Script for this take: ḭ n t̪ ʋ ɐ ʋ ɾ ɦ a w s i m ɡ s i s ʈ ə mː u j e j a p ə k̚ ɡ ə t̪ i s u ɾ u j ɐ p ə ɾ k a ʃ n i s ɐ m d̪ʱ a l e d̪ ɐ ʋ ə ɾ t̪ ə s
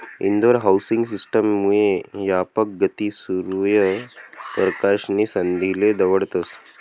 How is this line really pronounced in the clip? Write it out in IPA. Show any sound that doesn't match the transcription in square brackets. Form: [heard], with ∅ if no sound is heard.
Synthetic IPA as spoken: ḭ n [d̪] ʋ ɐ [∅] ɾ ɦ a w s i [ŋ] ɡ s i s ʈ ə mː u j e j a p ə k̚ ɡ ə t̪ i s u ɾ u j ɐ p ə ɾ k a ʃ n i s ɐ [n] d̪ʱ [i] l e d̪ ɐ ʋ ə [ɽ] t̪ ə s